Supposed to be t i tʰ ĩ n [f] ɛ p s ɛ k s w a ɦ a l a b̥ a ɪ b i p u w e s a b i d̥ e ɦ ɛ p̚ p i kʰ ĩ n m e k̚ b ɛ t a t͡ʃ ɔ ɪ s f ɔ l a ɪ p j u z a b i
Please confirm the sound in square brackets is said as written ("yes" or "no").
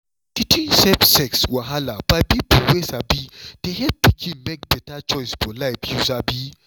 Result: no